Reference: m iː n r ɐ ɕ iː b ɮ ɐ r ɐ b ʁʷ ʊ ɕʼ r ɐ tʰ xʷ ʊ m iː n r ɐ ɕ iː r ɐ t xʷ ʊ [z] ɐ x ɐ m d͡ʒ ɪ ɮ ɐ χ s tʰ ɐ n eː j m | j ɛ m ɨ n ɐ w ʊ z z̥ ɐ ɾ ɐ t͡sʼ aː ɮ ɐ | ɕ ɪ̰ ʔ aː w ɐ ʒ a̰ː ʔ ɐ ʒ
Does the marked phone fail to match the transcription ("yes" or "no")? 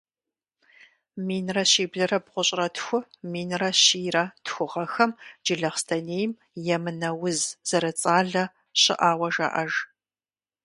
yes